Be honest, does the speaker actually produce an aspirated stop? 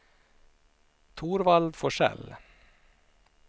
yes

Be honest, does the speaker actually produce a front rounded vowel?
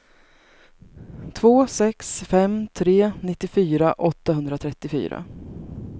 yes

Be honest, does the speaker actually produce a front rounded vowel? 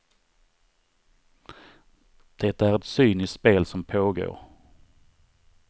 yes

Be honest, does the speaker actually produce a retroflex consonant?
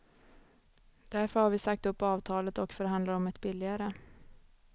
no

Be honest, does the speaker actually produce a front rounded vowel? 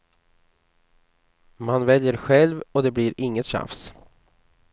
no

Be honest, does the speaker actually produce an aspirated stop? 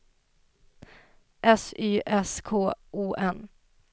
yes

